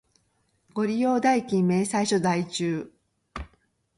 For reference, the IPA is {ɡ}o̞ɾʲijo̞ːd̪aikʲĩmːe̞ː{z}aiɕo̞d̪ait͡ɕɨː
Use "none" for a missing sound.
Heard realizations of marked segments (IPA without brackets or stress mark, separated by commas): ɡ, s